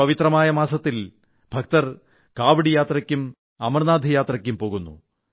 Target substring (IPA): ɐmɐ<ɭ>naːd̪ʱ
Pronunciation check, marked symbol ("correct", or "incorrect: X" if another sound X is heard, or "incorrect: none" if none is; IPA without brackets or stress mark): incorrect: r